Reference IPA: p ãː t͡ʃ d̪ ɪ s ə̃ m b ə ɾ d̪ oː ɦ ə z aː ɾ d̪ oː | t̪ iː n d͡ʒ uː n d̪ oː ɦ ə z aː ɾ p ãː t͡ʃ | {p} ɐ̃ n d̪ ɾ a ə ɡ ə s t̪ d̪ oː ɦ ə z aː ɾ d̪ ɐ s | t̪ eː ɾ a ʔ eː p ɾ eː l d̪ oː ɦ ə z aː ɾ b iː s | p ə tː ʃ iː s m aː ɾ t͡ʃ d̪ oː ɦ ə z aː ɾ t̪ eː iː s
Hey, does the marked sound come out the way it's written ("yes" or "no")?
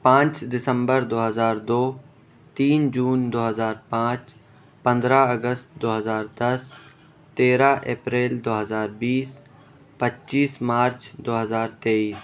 yes